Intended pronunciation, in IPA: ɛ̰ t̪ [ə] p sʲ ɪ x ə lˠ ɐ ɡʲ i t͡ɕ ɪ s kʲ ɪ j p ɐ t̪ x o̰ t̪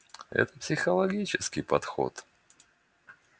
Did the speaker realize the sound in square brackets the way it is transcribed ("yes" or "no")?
yes